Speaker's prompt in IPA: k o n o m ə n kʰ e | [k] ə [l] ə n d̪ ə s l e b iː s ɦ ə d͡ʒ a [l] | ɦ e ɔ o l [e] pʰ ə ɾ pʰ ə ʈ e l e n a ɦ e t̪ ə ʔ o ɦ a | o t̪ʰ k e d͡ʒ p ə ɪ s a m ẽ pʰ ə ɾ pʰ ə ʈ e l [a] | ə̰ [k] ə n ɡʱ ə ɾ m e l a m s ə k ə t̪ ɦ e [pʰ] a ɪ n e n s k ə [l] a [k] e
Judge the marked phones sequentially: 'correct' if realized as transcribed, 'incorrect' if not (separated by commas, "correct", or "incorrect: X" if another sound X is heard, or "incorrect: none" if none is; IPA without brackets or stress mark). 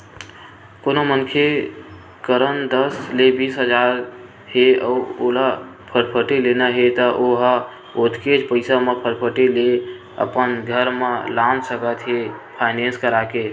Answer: correct, incorrect: ɾ, incorrect: ɾ, incorrect: a, incorrect: e, incorrect: p, correct, incorrect: ɾ, correct